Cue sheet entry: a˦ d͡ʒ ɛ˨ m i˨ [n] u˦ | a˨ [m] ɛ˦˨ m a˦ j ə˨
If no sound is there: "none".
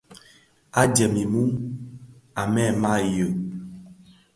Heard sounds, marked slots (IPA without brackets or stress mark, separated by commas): m, m